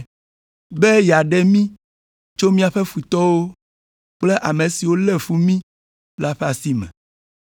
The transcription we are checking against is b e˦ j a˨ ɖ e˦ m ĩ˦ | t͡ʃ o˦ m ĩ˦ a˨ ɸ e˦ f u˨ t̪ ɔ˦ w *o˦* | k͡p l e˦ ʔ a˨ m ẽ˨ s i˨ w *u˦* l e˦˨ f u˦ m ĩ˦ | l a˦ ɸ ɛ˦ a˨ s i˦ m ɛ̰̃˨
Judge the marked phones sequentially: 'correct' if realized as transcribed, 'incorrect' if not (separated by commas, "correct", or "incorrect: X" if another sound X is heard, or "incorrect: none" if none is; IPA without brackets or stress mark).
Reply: correct, incorrect: o˦